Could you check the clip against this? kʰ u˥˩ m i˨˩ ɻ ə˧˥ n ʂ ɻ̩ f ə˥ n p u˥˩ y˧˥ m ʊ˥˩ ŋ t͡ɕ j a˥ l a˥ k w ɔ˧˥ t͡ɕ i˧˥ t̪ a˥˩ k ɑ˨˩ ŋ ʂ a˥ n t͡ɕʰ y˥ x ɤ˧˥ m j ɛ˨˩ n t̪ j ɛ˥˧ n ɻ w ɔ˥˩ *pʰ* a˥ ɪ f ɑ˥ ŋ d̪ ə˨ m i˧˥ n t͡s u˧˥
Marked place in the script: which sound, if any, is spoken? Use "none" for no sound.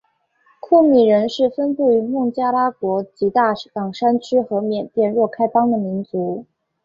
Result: kʰ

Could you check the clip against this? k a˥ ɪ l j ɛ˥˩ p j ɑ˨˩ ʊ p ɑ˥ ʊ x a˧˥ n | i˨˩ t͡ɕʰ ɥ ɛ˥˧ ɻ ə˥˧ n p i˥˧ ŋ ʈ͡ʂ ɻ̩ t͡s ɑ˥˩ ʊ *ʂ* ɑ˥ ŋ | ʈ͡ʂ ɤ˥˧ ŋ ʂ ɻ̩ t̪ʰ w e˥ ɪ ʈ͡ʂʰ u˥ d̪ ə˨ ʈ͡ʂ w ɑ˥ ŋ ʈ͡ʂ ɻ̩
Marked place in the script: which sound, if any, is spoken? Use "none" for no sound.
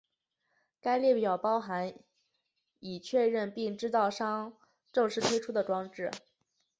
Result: ʂ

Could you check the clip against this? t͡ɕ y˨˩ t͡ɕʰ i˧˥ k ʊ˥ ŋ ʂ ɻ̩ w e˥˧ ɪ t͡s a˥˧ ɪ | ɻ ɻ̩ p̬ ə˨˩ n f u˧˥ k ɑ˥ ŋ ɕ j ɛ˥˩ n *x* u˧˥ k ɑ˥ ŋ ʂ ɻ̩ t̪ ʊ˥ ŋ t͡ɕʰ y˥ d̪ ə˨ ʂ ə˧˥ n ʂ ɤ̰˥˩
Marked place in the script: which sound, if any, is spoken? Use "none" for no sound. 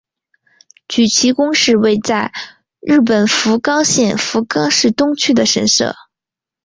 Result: f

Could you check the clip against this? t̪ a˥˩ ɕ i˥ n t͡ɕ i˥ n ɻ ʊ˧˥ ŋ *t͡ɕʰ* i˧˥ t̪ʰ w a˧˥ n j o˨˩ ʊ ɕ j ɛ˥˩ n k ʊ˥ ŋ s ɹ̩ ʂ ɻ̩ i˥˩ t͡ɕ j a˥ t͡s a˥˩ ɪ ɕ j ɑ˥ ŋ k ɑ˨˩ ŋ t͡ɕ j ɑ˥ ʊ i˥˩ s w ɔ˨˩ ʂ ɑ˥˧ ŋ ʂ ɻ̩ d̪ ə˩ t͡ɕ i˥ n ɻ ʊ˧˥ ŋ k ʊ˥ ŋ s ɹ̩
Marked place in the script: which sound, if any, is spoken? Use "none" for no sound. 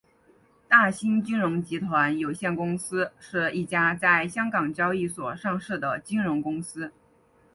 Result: t͡ɕ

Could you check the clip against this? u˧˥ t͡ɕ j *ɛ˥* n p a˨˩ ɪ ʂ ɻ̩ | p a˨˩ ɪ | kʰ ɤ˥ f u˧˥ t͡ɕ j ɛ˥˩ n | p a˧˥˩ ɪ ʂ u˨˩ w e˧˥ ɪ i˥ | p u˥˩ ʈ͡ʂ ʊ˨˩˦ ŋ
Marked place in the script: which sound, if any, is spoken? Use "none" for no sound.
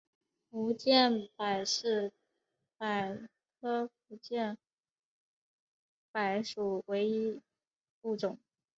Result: ɛ˥˩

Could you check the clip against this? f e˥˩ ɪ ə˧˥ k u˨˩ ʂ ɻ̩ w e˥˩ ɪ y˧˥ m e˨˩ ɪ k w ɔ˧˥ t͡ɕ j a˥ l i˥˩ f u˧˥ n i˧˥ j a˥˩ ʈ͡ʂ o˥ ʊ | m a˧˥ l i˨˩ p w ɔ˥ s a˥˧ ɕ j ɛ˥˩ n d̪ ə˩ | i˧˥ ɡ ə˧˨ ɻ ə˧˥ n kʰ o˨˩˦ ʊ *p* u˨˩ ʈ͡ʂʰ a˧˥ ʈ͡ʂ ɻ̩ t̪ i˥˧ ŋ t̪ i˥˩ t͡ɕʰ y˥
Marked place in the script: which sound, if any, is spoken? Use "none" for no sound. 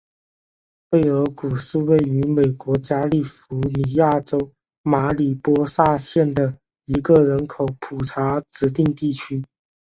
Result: pʰ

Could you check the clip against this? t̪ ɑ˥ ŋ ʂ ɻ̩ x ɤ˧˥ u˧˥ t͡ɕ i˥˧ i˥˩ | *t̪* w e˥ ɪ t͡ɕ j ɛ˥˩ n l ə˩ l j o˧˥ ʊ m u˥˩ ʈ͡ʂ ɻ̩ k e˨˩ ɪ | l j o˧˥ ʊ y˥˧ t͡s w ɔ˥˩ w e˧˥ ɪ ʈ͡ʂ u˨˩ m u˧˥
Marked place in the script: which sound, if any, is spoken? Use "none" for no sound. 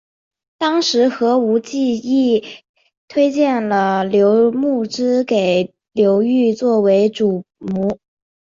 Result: t̪ʰ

